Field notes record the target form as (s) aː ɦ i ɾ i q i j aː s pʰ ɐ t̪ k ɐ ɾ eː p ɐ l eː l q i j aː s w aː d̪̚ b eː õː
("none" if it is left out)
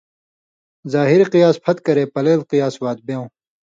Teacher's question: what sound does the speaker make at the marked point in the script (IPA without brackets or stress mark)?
z